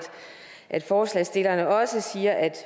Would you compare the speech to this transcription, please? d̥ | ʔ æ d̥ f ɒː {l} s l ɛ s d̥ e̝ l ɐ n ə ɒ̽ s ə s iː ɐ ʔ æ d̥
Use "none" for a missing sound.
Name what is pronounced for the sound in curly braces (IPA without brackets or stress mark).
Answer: none